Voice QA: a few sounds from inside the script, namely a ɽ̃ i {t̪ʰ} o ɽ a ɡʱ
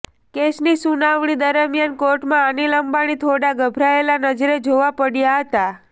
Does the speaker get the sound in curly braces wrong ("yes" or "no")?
no